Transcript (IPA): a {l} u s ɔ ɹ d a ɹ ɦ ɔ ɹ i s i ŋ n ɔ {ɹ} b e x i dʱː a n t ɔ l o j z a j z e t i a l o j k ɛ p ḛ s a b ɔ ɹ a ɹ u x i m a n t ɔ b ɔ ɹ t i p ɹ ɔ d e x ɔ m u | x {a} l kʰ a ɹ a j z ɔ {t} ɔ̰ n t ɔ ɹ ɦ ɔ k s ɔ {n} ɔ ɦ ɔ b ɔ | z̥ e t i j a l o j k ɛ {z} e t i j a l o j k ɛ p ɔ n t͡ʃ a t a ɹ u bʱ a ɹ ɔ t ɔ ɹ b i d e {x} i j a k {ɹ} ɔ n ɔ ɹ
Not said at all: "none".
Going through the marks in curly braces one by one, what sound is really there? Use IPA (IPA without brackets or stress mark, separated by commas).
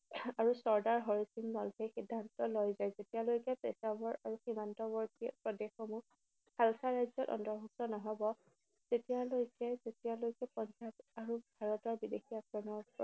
ɹ, l, a, t, n, z, x, ɹ